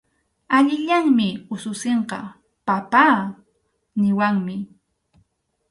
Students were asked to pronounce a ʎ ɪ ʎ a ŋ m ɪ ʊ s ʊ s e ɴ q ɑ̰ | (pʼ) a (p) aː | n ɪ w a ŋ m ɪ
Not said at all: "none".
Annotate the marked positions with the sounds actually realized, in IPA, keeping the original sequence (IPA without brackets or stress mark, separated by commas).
p, p